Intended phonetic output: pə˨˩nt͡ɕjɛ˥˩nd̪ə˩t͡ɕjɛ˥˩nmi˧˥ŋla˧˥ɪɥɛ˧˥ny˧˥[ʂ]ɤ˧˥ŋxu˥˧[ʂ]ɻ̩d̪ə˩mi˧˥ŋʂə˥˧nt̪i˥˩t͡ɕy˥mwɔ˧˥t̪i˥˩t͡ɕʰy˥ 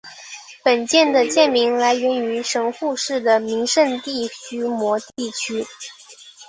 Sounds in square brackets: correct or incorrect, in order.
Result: correct, correct

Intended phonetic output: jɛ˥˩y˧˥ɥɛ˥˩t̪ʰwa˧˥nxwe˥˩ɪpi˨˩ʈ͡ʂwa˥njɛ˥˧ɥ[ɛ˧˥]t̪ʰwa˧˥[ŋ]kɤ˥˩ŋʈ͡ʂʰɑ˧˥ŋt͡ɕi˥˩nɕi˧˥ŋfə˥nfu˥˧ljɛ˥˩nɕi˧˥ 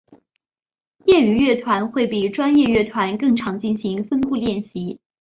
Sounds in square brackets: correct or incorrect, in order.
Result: incorrect, incorrect

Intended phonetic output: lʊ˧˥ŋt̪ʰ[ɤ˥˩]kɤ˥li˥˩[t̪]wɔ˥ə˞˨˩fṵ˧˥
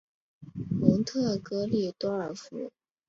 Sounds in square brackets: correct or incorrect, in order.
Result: correct, correct

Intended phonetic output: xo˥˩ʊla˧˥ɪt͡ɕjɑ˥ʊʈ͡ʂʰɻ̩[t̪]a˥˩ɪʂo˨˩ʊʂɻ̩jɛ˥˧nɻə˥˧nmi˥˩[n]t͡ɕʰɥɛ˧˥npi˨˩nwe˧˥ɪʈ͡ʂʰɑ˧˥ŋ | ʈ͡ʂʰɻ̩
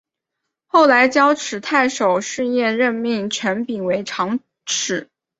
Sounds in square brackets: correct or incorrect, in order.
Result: incorrect, incorrect

